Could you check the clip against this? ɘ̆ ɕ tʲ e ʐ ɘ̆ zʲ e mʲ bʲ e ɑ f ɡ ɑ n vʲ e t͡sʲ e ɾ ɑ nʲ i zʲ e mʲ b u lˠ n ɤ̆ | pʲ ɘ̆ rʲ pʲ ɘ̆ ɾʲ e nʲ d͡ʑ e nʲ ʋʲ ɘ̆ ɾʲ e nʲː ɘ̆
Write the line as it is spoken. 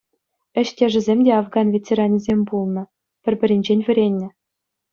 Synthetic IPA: ɘ̆ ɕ tʲ e ʐ ɘ̆ zʲ e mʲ dʲ e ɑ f ɡ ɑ n vʲ e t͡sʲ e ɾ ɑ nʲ i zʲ e mʲ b u lˠ n ɤ̆ | pʲ ɘ̆ rʲ bʲ ɘ̆ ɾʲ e nʲ d͡ʑ e nʲ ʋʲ ɘ̆ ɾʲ e nʲː ɘ̆